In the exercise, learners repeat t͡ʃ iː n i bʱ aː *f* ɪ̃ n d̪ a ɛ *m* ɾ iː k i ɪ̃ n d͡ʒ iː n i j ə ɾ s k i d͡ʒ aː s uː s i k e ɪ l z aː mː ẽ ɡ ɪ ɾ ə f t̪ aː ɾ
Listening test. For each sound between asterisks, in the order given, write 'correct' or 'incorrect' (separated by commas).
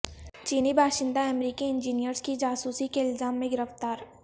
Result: incorrect, correct